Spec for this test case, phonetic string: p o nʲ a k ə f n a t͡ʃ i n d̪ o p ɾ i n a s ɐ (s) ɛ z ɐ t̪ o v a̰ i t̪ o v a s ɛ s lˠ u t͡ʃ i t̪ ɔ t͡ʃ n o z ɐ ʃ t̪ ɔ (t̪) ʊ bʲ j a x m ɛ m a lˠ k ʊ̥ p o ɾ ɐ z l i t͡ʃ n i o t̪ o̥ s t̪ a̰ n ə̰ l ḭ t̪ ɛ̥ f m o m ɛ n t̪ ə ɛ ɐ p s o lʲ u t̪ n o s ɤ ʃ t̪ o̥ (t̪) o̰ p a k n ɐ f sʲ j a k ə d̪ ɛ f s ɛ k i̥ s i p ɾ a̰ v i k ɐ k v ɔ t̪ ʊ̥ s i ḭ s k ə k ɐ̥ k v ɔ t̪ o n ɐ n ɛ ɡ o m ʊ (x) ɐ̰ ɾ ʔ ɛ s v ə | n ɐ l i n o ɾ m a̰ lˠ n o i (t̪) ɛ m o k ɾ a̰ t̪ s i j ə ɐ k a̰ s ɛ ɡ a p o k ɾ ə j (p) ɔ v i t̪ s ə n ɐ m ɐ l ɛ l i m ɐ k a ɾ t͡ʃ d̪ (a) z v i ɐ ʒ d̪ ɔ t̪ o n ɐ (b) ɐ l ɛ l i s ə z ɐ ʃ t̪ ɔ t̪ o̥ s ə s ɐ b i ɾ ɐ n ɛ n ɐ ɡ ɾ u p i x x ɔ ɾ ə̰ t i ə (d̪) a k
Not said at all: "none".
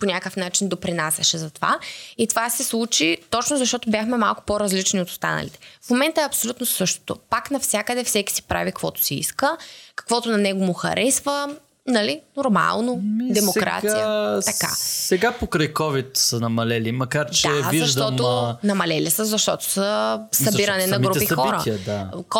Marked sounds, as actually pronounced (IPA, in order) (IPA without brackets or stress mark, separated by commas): ʃ, t̪, t̪, x, d̪, k, ɛ, m, d̪